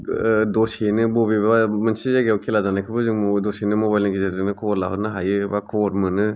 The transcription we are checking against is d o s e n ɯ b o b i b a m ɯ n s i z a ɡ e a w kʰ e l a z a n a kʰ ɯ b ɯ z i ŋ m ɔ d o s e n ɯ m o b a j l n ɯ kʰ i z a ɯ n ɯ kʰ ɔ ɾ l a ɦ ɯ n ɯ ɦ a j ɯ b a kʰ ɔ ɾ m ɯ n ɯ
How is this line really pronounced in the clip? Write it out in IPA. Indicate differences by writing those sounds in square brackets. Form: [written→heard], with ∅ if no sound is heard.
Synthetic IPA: d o s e n ɯ b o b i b a m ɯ n s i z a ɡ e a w kʰ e l a z a n a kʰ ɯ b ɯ z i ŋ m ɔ d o s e n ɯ m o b a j l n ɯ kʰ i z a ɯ n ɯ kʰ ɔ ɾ l a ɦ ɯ n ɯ ɦ a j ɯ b a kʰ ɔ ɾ m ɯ n ɯ

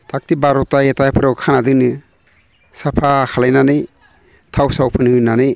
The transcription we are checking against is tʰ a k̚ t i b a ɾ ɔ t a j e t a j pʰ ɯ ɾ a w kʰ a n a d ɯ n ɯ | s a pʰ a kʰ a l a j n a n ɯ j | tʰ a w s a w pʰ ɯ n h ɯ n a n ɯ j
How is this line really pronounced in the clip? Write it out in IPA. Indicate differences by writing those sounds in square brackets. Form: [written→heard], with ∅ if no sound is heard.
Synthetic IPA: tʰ a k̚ t i b a ɾ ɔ t a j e t a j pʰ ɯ ɾ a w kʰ a n a d ɯ n ɯ | s a pʰ a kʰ a l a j n a n ɯ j | tʰ a w s a w pʰ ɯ n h ɯ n a n ɯ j

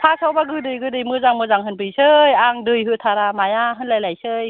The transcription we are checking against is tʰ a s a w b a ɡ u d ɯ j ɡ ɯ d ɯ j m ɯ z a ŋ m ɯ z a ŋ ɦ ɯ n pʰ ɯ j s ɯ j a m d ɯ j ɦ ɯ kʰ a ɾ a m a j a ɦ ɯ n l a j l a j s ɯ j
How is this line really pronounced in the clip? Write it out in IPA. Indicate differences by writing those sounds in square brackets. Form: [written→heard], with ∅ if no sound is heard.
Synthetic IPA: tʰ a s a w b a ɡ [u→ɯ] d ɯ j ɡ ɯ d ɯ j m ɯ z a ŋ m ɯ z a ŋ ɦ ɯ n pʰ ɯ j s ɯ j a [m→ŋ] d ɯ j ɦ ɯ [kʰ→tʰ] a ɾ a m a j a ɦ ɯ n l a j l a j s ɯ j

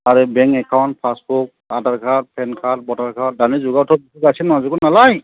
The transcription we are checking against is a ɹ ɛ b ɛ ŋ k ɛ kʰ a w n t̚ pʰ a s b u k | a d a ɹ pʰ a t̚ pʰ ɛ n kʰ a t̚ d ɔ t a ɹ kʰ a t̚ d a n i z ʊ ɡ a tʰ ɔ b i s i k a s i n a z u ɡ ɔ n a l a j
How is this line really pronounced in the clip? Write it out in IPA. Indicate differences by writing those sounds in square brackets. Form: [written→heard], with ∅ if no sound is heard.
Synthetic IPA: a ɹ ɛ b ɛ ŋ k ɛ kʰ a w n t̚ pʰ a s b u k | a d a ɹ [pʰ→kʰ] a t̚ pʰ ɛ n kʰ a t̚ [d→b] ɔ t a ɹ kʰ a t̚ d a n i z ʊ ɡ a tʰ ɔ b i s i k a s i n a z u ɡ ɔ n a l a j

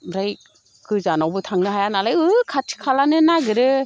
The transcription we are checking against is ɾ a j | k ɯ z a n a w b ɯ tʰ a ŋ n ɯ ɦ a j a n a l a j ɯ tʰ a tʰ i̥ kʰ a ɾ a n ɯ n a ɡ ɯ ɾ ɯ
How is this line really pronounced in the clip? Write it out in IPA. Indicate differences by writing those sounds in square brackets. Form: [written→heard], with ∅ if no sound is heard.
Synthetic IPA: ɾ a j | k ɯ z a n a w b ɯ tʰ a ŋ n ɯ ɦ a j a n a l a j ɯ [tʰ→kʰ] a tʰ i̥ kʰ a [ɾ→l] a n ɯ n a ɡ ɯ ɾ ɯ

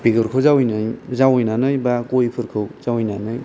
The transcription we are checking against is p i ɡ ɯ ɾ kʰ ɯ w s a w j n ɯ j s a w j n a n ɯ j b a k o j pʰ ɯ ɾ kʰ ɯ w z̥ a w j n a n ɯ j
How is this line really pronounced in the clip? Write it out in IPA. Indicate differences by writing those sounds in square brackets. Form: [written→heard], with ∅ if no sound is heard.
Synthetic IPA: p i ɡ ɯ ɾ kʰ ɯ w [s→z] a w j n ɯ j [s→z] a w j n a n ɯ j b a k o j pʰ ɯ ɾ kʰ ɯ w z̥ a w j n a n ɯ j

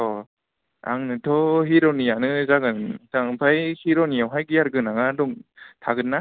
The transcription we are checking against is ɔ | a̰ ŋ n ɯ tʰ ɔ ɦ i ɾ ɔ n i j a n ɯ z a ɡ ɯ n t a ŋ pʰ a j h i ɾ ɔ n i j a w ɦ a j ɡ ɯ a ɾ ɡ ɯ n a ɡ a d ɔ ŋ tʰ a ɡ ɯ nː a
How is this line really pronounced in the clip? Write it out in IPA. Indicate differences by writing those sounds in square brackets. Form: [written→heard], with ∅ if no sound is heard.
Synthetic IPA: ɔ | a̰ ŋ n ɯ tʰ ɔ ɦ i ɾ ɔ n i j a n ɯ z a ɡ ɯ n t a ŋ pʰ a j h i ɾ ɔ n i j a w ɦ a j ɡ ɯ a ɾ ɡ ɯ n a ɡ a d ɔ ŋ tʰ a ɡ ɯ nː a

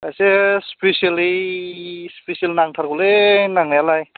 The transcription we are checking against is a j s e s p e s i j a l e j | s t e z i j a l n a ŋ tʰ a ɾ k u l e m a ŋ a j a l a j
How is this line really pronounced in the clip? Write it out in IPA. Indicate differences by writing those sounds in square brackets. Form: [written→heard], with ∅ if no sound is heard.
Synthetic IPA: a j s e s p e s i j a l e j | s [t→p] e [z→s] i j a l n a ŋ tʰ a ɾ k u l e [m→n] a ŋ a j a l a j

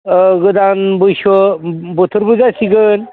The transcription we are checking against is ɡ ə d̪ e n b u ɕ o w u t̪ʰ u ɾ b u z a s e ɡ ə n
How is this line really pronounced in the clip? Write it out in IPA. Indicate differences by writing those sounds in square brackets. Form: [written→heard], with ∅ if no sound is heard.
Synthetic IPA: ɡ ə d̪ [e→a] n b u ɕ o [w→b] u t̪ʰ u ɾ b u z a s [e→i] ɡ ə n

